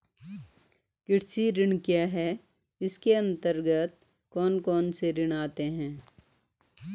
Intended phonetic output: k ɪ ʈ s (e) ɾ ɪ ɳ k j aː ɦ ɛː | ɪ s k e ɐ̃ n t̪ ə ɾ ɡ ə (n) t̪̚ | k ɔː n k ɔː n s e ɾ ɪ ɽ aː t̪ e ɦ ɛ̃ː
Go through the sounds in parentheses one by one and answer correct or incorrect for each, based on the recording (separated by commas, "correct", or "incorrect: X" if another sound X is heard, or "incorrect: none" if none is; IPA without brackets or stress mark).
incorrect: i, incorrect: none